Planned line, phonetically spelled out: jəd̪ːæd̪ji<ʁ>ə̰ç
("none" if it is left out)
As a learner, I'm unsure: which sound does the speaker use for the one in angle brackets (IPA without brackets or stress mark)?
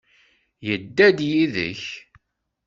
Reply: ð